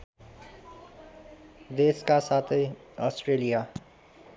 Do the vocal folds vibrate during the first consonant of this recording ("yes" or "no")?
yes